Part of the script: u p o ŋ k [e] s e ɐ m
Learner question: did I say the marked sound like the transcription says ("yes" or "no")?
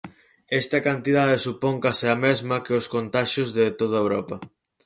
no